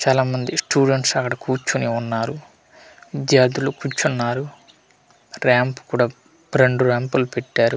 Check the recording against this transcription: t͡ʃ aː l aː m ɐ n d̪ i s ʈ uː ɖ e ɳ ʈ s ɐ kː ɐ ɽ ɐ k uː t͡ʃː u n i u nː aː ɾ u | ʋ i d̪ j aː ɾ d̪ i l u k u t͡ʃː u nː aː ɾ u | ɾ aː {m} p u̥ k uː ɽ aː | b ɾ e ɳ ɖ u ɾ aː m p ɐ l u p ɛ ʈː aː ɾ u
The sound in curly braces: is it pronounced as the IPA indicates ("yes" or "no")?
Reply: yes